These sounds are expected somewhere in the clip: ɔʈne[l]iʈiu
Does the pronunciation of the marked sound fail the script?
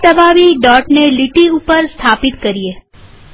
no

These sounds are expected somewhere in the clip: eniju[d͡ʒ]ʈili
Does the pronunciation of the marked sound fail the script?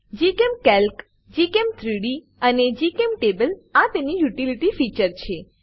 yes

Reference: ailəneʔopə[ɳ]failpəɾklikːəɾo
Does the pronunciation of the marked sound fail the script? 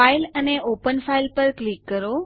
yes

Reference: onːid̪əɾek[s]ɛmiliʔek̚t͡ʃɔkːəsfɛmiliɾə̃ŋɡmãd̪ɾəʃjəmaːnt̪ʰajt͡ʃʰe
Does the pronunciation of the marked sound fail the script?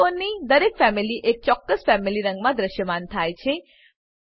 yes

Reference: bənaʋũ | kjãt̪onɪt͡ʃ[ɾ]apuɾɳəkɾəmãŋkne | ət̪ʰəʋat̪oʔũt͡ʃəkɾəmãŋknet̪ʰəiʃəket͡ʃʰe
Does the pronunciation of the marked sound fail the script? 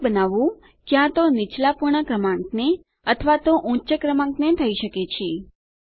yes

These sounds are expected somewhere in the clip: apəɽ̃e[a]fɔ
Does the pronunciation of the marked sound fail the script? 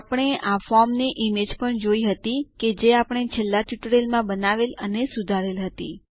no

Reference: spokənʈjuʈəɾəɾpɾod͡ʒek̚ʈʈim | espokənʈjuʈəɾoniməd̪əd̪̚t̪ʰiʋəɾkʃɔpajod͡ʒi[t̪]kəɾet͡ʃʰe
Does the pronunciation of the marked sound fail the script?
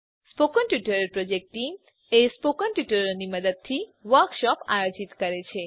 no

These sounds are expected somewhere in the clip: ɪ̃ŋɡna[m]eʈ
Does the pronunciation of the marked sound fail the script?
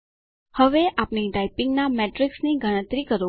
no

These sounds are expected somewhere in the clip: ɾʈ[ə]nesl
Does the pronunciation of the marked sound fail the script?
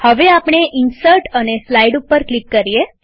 no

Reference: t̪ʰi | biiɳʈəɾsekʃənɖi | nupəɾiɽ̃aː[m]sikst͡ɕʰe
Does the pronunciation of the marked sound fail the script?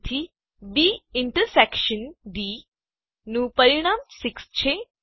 no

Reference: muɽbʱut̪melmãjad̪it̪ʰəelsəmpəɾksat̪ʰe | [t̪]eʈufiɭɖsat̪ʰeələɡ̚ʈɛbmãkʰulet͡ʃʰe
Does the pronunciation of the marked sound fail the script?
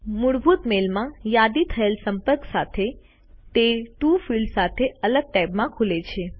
no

